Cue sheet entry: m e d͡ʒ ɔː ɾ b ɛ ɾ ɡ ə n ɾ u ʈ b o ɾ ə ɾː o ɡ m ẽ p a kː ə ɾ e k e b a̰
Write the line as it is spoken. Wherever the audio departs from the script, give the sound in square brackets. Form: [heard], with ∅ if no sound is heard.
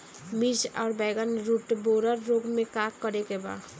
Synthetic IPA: m [i] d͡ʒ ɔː ɾ b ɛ [∅] ɡ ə n ɾ u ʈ b o ɾ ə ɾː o ɡ m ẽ [k] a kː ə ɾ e k e b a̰